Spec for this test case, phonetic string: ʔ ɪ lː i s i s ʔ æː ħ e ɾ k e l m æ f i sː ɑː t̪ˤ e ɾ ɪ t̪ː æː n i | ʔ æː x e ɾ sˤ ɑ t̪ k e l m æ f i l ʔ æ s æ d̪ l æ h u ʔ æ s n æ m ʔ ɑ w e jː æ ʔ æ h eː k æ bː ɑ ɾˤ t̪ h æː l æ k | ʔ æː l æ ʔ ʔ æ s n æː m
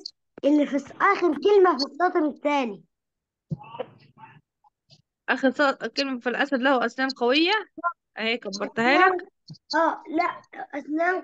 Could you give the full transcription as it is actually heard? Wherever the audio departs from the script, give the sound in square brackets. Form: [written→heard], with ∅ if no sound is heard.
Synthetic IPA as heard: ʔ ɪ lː i [s→f] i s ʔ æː [ħ→x] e ɾ k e l m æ f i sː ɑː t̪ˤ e ɾ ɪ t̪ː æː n i | ʔ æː x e ɾ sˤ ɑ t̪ k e l m æ f i l ʔ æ s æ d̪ l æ h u ʔ æ s n [æ→æː] m [ʔ→q] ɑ w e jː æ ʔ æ h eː k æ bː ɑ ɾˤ t̪ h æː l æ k | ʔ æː l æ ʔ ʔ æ s n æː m